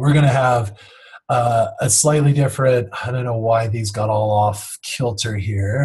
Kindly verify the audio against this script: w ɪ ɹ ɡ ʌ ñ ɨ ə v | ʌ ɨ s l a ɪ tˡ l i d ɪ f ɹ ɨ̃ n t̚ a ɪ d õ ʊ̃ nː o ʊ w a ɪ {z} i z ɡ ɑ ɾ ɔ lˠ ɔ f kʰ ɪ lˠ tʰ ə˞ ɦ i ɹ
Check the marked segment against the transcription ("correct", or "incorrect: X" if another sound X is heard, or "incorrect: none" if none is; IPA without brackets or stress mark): incorrect: ð